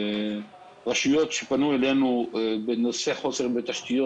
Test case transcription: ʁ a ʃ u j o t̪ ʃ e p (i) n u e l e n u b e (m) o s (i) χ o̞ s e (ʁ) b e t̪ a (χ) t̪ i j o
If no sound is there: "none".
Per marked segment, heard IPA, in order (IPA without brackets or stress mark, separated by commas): a, n, e, ʁ, ʃ